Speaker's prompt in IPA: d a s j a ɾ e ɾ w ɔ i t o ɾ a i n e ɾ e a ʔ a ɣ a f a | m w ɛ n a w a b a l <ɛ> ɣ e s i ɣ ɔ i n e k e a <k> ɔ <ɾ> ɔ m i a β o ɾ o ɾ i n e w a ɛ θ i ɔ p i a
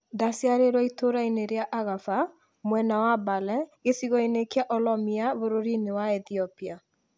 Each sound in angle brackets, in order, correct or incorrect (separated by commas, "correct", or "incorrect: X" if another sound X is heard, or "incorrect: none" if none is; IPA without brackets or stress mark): correct, incorrect: ʔ, incorrect: l